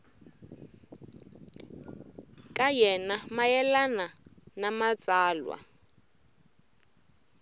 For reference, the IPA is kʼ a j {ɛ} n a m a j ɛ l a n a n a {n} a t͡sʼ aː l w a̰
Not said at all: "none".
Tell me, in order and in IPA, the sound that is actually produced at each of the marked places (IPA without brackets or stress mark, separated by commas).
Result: ɛ, m